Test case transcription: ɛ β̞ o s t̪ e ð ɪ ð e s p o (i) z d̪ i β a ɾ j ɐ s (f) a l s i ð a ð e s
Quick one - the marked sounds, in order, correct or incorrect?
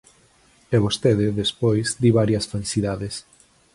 incorrect, correct

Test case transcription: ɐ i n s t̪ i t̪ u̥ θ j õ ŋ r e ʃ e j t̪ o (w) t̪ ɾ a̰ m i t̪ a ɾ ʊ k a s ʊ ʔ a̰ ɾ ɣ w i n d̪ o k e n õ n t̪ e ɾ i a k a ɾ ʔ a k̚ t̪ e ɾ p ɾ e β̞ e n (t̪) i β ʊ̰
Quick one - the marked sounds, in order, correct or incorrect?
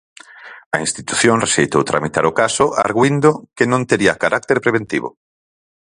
correct, correct

